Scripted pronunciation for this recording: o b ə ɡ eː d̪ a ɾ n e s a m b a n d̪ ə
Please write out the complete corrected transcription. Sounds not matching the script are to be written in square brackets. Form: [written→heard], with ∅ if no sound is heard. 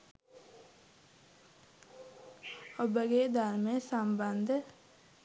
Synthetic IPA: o b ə ɡ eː d̪ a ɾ [n→m] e s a m b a n d̪ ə